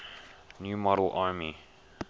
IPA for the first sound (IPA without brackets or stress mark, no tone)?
n